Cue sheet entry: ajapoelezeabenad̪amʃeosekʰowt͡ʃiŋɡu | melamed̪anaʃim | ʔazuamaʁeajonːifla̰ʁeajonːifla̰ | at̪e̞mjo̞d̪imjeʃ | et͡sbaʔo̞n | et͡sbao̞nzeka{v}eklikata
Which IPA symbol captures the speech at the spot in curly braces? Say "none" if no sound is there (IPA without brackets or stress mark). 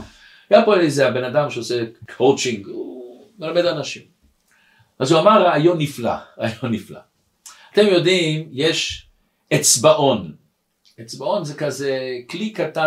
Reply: z